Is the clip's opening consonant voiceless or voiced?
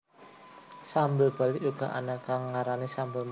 voiceless